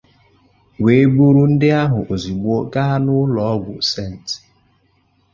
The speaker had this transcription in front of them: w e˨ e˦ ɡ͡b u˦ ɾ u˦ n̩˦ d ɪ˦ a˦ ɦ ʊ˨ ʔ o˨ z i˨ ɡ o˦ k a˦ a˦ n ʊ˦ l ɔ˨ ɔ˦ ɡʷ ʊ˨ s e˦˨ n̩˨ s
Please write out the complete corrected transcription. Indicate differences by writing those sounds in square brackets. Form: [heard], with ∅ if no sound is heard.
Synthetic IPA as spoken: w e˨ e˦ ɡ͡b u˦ ɾ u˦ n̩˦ d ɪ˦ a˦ ɦ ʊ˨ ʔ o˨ z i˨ [ɡ͡b] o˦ k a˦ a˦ n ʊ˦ l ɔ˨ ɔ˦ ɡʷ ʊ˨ s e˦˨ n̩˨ [t]